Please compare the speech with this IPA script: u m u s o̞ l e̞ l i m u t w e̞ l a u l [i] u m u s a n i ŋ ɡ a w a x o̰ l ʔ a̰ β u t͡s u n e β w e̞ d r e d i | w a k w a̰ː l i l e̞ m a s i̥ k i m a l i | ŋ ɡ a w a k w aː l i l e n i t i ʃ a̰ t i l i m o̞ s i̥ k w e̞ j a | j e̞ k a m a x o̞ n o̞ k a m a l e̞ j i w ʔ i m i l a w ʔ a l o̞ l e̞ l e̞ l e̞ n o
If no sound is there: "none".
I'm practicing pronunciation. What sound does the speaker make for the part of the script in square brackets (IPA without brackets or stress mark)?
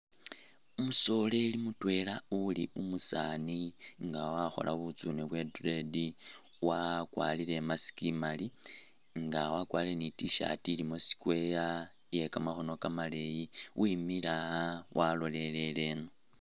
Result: i